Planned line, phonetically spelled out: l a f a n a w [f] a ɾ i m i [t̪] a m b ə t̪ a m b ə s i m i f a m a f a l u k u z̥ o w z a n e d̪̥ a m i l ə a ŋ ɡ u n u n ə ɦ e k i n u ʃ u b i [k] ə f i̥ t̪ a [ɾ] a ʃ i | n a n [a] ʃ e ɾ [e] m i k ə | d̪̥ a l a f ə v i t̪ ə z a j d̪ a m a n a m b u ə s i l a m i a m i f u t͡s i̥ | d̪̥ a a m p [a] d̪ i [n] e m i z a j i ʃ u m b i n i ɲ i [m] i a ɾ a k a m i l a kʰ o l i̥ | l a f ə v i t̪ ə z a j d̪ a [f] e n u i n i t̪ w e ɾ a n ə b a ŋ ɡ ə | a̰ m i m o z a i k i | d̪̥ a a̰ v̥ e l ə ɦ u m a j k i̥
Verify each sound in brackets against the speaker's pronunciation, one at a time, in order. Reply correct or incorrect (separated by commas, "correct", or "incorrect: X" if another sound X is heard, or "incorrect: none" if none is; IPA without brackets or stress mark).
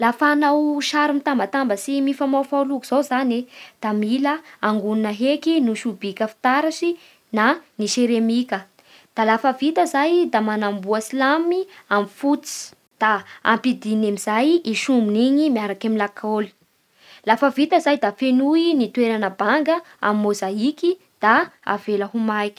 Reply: incorrect: ʃ, correct, correct, correct, incorrect: i, correct, incorrect: i, correct, correct, correct